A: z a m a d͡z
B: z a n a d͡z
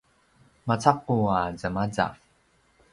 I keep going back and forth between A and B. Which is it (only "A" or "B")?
A